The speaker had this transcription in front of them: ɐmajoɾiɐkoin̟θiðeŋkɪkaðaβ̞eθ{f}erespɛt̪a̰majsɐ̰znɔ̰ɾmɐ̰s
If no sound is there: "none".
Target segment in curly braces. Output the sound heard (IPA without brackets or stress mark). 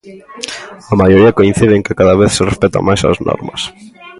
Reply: s